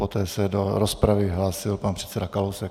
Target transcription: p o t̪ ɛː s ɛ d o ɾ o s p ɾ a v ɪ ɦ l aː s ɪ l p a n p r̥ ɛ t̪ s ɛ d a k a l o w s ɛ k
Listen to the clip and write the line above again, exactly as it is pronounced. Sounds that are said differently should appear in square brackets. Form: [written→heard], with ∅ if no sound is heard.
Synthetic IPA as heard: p o t̪ ɛː s ɛ d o ɾ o s p ɾ a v ɪ ɦ l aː s ɪ l p a n p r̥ ɛ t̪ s ɛ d a k a l o w s ɛ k